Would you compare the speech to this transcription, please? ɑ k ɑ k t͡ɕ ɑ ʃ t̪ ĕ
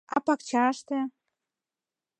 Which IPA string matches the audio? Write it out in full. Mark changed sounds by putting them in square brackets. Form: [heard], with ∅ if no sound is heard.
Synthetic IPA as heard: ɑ [p] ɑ k t͡ɕ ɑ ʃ t̪ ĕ